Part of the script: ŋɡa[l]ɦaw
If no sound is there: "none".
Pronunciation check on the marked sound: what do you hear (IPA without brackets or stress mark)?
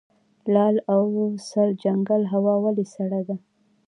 l